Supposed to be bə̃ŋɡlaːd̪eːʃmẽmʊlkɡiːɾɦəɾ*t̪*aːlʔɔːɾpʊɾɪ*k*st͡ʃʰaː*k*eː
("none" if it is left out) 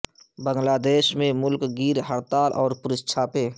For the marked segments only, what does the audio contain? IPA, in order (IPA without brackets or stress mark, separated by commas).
t̪, none, p